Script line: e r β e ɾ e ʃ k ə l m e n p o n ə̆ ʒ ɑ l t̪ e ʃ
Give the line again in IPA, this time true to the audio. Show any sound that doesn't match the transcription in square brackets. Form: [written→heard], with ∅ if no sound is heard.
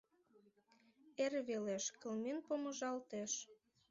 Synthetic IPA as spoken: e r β e [ɾ→l] e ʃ k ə l m e n p o [n→m] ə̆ ʒ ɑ l t̪ e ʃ